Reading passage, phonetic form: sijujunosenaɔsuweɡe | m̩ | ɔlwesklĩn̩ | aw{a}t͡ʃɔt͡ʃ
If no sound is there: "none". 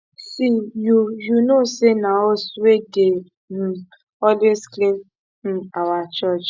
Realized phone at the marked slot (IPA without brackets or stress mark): a